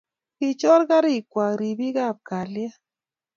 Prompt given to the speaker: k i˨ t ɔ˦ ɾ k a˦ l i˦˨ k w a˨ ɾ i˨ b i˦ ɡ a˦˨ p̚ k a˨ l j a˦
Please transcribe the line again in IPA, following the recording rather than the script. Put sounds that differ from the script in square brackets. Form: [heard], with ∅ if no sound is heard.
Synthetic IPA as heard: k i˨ [t͡ʃ] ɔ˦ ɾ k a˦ [ɾ] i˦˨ k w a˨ ɾ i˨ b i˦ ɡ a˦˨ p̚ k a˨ l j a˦

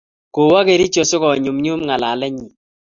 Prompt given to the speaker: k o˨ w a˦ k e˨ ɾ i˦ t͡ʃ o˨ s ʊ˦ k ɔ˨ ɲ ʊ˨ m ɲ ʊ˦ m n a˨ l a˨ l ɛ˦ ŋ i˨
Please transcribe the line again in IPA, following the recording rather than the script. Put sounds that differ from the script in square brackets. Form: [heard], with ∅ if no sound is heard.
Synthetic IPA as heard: k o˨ w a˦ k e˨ ɾ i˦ t͡ʃ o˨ s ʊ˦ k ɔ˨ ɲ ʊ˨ m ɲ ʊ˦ m [ŋ] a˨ l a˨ l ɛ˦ [ɲ] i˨

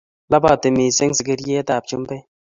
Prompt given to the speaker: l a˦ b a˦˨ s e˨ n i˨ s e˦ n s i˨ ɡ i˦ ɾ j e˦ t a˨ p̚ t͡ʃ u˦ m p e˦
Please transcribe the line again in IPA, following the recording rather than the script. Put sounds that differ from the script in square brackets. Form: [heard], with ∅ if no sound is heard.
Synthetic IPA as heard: l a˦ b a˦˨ [t] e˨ [m] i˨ s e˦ [ŋ] s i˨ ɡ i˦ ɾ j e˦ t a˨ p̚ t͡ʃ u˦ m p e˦

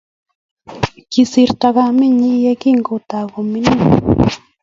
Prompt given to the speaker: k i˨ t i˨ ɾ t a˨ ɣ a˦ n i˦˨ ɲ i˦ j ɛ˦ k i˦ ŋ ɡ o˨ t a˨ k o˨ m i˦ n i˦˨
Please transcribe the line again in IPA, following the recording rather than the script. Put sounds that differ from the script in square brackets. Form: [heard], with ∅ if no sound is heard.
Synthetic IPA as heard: k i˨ [s] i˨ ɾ t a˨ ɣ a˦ [m] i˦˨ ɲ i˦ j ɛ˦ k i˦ ŋ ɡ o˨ t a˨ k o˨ m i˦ n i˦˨

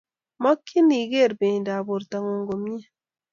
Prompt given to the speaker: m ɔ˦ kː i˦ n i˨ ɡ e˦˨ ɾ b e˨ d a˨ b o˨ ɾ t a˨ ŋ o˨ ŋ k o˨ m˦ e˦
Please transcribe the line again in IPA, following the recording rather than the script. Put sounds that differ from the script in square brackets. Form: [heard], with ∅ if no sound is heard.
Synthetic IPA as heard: m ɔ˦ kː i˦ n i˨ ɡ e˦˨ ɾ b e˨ d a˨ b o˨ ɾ t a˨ ŋ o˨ ŋ [ɡ] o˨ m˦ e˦

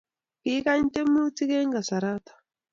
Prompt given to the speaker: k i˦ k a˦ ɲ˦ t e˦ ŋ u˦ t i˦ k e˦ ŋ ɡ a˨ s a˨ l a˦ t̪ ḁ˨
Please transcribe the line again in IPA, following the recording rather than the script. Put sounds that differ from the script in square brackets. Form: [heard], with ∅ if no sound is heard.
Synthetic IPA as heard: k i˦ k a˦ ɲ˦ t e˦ [m] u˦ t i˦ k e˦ ŋ ɡ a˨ s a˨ [ɾ] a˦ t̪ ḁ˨

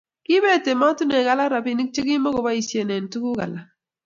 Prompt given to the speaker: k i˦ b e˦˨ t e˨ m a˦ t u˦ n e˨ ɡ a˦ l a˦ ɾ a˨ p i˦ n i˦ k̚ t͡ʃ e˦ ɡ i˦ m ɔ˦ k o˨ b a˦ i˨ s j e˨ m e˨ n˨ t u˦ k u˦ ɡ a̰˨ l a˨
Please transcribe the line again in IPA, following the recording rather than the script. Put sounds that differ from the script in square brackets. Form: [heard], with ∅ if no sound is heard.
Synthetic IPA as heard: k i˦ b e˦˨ t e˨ m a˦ t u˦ n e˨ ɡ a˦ l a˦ ɾ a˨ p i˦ n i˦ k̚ t͡ʃ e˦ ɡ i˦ m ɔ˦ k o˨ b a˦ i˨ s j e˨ [n] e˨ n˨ t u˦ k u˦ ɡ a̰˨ l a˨

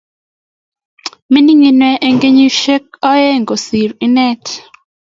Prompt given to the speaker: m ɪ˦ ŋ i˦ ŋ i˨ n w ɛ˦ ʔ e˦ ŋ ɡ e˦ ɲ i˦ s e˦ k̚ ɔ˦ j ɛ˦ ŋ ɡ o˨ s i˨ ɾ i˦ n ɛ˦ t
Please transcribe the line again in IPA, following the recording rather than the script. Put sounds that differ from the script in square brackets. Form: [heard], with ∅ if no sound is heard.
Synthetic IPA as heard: m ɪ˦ [n] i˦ ŋ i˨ n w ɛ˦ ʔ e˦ ŋ ɡ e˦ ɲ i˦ [ʃ] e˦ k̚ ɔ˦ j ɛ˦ ŋ ɡ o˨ s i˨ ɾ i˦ n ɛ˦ t

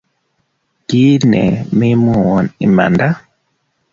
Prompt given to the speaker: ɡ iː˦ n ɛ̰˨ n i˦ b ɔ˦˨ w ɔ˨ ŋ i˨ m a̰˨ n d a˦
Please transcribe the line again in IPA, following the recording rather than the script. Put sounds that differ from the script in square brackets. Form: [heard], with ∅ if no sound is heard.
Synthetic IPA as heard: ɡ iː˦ n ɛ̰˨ [m] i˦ [m] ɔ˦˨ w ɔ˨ [n] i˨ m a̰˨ n d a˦

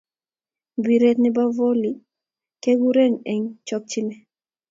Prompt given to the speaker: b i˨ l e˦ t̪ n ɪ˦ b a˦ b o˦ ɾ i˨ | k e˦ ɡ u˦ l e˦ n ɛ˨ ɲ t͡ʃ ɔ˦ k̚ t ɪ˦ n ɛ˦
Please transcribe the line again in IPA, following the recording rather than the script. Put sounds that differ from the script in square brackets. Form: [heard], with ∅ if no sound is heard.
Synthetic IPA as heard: b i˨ [ɾ] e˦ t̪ n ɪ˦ b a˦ [v] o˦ [l] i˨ | k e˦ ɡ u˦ [ɾ] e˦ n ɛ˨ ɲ t͡ʃ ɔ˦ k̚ [t͡ʃ] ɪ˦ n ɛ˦

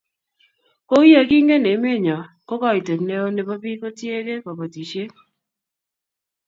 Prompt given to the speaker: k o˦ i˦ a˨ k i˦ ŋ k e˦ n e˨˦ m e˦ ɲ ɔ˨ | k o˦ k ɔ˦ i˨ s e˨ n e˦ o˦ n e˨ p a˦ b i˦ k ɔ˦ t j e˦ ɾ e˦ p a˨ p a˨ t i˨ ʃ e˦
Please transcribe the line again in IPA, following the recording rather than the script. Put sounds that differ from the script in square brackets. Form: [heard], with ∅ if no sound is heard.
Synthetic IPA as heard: k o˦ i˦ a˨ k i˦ ŋ [ɡ] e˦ n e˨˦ m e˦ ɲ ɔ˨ | k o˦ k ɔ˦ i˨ [t] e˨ n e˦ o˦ n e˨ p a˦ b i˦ k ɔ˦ t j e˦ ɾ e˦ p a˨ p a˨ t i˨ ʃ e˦

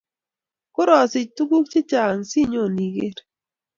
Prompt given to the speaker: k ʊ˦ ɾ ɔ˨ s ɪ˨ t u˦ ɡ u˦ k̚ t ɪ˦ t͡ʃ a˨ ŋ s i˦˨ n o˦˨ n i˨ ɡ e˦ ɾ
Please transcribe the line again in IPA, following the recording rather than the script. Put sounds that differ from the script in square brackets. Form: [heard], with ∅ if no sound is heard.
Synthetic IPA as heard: k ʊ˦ ɾ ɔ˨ s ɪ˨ t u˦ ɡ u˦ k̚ [t͡ʃ] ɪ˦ t͡ʃ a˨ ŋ s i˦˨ [ɲ] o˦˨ n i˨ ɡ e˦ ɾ

